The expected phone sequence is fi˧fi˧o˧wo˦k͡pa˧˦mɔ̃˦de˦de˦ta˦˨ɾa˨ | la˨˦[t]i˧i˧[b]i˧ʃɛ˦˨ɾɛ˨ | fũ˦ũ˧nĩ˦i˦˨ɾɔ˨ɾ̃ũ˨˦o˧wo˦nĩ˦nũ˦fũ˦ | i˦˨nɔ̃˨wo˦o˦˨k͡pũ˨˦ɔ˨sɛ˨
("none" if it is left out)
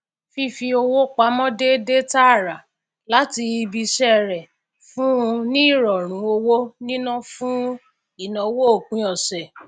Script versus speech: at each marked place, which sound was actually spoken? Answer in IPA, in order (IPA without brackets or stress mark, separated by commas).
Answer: t, b